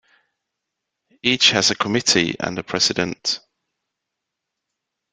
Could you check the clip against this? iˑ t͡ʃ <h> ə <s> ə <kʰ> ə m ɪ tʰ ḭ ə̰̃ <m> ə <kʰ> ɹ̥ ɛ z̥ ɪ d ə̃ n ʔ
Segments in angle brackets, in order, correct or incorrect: correct, incorrect: z, correct, incorrect: n, incorrect: pʰ

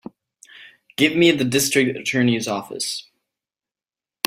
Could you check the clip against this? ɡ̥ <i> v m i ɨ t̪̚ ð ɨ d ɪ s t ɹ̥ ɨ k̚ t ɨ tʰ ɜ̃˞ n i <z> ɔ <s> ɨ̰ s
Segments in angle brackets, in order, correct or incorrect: incorrect: ɪ, correct, incorrect: f

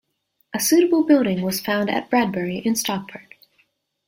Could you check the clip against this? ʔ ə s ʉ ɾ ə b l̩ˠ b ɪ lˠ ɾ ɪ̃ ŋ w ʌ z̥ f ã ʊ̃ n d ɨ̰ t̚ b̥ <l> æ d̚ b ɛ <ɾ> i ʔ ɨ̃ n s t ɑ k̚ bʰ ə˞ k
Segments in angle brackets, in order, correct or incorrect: incorrect: ɹ, incorrect: ɹ

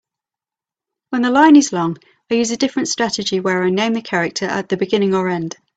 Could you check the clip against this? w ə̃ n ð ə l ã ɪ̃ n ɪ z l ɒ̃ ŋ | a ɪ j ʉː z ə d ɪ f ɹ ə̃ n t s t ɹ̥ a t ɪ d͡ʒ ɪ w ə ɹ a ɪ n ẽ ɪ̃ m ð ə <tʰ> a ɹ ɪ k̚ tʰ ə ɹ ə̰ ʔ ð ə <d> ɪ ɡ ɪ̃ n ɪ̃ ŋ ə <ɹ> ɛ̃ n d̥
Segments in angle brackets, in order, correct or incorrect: incorrect: kʰ, incorrect: b, correct

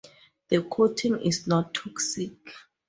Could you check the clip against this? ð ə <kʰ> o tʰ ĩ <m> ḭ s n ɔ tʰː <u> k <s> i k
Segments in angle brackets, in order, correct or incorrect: correct, incorrect: ŋ, incorrect: ɔ, correct

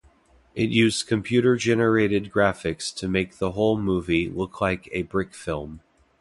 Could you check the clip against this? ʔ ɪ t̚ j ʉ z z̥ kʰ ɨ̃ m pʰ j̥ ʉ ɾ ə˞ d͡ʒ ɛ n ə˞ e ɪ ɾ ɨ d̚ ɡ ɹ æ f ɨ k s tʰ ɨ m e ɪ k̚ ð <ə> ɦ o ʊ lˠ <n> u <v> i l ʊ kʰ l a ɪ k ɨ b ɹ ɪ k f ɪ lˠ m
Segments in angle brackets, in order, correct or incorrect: correct, incorrect: m, correct

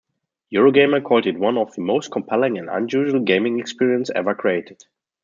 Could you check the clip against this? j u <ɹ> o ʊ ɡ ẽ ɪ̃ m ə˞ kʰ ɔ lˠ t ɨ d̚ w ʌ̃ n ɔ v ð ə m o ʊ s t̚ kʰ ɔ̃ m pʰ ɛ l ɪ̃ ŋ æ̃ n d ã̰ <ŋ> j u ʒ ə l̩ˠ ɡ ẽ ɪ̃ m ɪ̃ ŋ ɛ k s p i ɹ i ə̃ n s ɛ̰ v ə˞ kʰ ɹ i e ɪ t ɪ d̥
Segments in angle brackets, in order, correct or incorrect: correct, incorrect: n

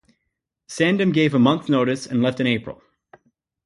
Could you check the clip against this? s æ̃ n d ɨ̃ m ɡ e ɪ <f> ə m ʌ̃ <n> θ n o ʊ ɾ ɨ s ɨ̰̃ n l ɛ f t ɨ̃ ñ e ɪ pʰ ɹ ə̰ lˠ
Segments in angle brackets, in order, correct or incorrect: incorrect: v, correct

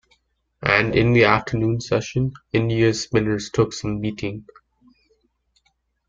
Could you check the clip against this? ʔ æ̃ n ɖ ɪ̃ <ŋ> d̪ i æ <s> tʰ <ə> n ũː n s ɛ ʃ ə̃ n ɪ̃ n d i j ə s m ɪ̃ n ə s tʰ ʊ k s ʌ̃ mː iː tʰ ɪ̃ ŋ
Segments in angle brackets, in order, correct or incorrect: incorrect: n, incorrect: f, correct

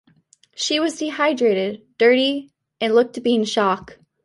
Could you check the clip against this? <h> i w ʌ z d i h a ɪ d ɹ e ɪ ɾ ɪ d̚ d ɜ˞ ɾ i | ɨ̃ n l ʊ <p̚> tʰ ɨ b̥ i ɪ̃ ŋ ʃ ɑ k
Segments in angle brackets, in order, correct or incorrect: incorrect: ʃ, incorrect: k̚

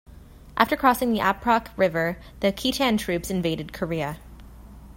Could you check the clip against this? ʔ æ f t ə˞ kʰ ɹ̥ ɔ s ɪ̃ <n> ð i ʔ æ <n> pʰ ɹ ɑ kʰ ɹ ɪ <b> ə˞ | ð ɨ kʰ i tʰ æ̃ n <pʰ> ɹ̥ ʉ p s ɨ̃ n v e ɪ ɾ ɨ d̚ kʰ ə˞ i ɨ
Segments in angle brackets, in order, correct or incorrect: incorrect: ŋ, incorrect: none, incorrect: v, incorrect: tʰ

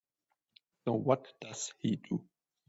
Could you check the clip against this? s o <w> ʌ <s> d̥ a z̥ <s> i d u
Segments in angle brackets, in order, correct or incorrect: correct, incorrect: t, incorrect: h

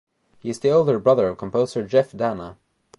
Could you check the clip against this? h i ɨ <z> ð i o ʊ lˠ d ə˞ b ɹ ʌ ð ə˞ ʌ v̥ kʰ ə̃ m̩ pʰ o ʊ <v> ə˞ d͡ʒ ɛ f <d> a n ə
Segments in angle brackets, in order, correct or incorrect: correct, incorrect: z, correct

